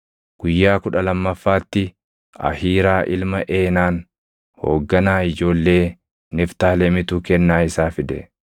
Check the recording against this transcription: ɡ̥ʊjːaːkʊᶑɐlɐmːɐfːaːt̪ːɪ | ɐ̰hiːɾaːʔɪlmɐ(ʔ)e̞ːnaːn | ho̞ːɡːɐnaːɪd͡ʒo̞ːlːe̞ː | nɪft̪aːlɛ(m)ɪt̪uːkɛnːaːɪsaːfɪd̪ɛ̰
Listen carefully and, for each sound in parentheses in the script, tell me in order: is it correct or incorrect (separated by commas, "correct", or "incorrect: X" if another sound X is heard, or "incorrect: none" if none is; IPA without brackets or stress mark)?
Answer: correct, correct